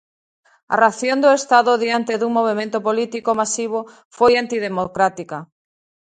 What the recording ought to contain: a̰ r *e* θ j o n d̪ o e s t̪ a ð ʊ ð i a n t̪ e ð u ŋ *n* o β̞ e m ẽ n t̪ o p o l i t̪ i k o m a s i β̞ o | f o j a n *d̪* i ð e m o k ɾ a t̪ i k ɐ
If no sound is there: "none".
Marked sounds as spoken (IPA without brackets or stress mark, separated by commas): a, m, t̪